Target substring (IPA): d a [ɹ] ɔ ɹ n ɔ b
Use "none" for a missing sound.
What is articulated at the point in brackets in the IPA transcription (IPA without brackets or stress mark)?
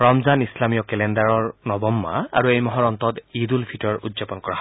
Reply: ɹ